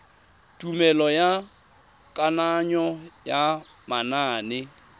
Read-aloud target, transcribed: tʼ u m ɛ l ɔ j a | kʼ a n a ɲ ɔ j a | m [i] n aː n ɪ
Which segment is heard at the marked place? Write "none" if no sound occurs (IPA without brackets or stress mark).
a